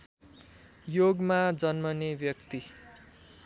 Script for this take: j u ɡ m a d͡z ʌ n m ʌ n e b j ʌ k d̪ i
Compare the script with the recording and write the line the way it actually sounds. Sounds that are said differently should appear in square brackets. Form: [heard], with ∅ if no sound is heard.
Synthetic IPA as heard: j [o] ɡ m a d͡z ʌ n m ʌ n e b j ʌ k [t̪] i